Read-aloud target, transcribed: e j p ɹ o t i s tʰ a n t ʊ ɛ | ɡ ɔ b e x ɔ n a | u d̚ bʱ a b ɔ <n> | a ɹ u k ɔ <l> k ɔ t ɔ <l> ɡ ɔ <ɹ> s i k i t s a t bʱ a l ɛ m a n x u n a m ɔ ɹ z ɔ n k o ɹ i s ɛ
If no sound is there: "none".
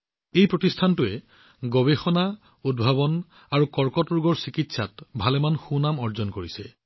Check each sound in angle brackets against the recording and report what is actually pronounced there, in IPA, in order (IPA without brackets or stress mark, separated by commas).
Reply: n, ɹ, ɹ, ɹ